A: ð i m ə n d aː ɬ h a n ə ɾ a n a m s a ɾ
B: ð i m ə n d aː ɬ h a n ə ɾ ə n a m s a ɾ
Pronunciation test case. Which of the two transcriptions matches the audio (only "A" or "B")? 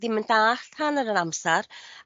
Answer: B